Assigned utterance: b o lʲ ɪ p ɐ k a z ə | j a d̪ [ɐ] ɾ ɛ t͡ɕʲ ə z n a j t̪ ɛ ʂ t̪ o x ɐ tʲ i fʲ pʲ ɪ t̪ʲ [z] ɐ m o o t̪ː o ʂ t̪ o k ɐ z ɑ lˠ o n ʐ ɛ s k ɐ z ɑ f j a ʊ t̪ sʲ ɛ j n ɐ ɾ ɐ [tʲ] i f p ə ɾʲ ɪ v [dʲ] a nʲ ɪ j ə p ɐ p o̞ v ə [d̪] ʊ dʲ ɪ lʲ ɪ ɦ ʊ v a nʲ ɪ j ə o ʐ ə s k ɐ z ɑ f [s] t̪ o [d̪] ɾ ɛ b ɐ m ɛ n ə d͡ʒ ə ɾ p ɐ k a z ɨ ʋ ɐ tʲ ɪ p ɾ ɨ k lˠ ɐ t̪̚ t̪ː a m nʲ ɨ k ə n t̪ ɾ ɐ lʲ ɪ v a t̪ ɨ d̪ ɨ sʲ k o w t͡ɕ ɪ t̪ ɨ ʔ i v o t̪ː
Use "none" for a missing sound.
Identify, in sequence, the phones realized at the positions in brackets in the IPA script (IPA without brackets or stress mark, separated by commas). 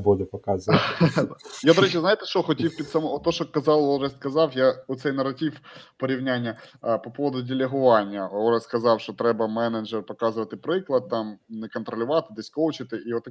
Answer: ɐ, s, tʲ, nʲ, d̪, ʂ, t̪